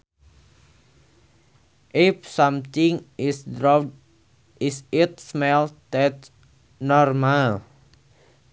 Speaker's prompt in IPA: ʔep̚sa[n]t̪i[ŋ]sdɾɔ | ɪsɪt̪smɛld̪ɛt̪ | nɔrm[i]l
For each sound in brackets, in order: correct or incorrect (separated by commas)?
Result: incorrect, correct, incorrect